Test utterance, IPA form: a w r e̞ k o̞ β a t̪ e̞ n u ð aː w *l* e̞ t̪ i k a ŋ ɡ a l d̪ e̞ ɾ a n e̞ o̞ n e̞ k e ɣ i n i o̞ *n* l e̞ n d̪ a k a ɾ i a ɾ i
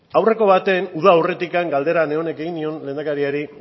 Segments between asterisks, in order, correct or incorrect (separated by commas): incorrect, correct